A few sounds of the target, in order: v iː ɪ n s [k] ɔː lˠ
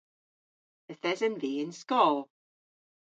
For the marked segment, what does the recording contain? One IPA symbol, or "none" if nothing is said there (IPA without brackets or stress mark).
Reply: k